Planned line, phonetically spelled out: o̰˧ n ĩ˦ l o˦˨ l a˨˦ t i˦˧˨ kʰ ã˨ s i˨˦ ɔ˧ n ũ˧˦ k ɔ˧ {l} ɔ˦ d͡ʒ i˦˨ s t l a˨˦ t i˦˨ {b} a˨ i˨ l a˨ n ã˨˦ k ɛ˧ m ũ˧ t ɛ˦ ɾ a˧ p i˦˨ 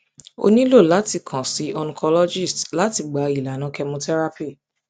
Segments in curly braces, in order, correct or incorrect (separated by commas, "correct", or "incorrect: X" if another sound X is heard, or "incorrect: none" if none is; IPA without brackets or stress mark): correct, incorrect: ɡ͡b